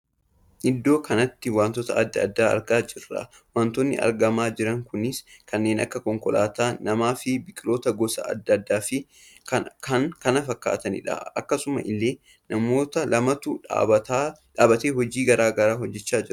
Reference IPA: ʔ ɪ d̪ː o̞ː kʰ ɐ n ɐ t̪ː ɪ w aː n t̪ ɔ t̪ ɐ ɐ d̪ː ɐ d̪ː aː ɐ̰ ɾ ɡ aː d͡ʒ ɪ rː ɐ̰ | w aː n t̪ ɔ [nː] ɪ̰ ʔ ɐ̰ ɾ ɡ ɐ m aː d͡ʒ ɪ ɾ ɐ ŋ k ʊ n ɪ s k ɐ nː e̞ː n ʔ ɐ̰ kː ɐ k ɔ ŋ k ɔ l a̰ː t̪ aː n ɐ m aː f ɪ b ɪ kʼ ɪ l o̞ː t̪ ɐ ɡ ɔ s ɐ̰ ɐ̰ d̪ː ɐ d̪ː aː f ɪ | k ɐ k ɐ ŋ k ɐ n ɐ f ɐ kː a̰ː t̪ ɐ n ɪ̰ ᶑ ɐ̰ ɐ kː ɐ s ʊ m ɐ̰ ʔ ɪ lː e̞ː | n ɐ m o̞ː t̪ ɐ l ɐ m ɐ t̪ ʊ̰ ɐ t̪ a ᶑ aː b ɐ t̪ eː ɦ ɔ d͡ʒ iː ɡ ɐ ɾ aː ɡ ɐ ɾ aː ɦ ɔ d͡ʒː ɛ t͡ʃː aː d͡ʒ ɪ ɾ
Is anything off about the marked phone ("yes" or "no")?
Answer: no